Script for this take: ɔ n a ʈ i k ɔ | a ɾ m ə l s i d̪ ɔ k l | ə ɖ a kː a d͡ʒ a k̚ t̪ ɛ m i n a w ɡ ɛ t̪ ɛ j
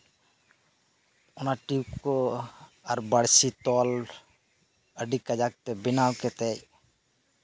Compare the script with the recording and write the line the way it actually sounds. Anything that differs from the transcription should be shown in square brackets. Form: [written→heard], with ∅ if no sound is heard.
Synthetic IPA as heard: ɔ n a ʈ i k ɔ | a ɾ [m→b] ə [l→ɽ] s i [d̪→t̪] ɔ [k→∅] l | ə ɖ [a→i] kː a d͡ʒ a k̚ t̪ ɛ [m→b] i n a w [ɡ→k] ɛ t̪ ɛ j